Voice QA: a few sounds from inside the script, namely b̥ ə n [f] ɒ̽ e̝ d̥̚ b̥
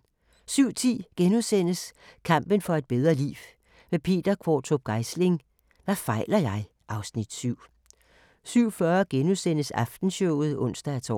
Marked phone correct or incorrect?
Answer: correct